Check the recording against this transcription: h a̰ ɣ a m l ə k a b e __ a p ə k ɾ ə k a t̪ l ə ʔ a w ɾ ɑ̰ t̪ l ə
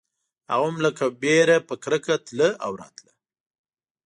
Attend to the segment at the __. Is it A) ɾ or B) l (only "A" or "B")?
A